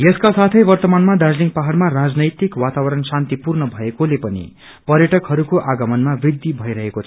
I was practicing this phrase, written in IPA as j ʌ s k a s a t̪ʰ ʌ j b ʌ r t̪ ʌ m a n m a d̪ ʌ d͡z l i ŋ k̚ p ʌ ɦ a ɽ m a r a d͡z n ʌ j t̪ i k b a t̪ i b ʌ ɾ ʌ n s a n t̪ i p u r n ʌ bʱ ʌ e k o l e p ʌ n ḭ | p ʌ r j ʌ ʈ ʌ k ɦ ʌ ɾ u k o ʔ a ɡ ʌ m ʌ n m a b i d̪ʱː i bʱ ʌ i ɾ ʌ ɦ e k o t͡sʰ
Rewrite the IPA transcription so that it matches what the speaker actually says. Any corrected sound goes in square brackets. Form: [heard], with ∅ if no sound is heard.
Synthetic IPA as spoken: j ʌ s k a s a t̪ʰ ʌ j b ʌ r t̪ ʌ m a n m a d̪ [a] d͡z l i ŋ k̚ p [a] ɦ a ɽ m a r a d͡z n ʌ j t̪ i k [w] a t̪ [a] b ʌ ɾ ʌ n s a n t̪ i p u r n ʌ bʱ ʌ e k o l e p ʌ n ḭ | p ʌ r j ʌ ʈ ʌ k ɦ ʌ ɾ u k o ʔ a ɡ ʌ m ʌ n m a b i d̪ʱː i bʱ ʌ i ɾ ʌ ɦ e k o t͡sʰ